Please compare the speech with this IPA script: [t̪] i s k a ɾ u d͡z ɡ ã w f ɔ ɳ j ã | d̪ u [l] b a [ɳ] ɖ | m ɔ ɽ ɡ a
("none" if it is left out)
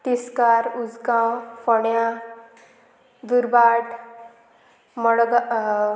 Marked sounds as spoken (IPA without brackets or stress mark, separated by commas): t̪, ɾ, none